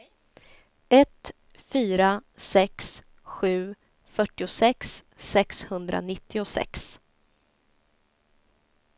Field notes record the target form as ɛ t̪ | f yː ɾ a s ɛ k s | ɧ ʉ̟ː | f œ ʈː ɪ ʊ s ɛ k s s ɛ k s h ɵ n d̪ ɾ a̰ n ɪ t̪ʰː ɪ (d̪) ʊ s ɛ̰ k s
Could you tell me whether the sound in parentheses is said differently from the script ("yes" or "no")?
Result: yes